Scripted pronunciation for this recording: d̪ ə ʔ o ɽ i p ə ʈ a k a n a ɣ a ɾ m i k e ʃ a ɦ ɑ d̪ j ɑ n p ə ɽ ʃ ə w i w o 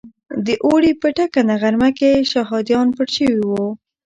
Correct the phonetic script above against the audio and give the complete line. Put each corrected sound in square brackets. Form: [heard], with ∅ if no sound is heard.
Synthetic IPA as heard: d̪ ə ʔ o ɽ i p ə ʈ a k a n a ɣ a ɾ m [a] k e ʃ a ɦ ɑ d̪ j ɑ n p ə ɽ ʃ ə w i w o